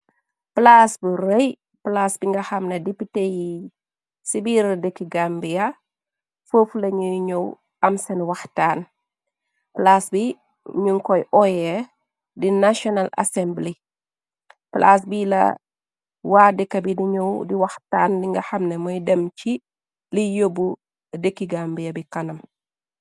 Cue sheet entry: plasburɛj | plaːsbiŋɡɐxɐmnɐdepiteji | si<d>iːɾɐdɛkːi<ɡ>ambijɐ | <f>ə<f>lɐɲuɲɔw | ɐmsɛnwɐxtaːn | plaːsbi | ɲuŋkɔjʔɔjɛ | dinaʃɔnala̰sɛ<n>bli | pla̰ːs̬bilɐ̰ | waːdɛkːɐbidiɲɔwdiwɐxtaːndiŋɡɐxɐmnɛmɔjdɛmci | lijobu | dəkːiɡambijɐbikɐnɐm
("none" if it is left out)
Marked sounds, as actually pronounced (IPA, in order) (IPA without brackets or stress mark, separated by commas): b, ɡ, f, f, m